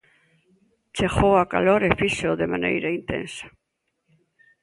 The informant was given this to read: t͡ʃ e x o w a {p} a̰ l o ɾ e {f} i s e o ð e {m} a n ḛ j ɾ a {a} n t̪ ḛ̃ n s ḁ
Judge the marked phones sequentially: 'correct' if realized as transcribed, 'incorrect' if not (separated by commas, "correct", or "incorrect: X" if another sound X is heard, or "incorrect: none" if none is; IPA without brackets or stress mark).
incorrect: k, correct, correct, incorrect: i